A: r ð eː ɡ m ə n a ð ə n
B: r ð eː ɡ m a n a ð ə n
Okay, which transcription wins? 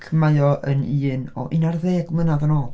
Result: A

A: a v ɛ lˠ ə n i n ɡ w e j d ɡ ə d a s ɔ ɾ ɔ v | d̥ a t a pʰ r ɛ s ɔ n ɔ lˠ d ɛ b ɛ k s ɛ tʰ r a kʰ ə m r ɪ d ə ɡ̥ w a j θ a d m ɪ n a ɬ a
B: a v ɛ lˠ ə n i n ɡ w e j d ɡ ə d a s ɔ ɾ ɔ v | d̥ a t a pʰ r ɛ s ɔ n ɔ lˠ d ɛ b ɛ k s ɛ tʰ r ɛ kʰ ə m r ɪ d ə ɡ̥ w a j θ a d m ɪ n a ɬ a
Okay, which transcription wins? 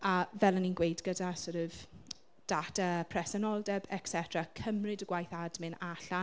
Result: A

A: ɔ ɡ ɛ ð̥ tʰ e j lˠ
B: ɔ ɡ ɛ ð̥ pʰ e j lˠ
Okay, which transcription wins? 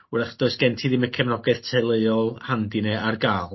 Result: A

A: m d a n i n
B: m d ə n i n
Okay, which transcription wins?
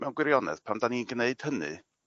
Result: A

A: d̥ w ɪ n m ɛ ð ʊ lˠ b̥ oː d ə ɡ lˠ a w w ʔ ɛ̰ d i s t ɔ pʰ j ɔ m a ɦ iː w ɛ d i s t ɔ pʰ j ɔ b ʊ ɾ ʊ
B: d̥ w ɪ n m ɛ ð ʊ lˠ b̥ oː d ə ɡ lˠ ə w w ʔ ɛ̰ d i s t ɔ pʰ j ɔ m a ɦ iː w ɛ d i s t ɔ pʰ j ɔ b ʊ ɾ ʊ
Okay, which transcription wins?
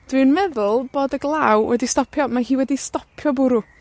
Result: A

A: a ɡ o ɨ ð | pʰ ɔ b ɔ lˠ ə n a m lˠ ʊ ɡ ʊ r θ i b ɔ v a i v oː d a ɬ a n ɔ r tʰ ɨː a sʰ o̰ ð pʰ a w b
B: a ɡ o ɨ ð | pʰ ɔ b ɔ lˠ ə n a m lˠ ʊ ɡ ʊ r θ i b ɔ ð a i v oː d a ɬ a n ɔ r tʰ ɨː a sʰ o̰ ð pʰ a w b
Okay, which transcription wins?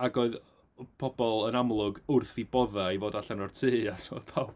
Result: B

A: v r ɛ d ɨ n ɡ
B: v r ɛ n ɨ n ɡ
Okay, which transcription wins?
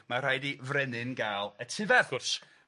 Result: B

